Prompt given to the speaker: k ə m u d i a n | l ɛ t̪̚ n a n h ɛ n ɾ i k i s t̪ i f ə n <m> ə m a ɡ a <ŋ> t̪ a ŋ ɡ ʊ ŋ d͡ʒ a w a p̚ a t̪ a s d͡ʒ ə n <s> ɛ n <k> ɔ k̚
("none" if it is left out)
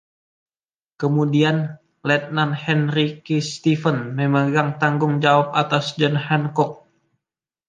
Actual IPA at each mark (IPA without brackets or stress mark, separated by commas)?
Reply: m, ŋ, h, k